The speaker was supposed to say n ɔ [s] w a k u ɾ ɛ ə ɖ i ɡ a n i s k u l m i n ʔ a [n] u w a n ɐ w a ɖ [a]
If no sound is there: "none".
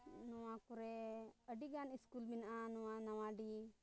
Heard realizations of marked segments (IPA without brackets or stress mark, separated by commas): none, n, i